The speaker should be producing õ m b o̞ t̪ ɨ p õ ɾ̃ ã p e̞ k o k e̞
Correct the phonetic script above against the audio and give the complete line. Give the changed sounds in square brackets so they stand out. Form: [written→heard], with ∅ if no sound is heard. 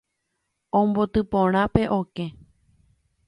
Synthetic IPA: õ m b o̞ t̪ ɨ p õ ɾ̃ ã p e̞ [k→ʔ] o k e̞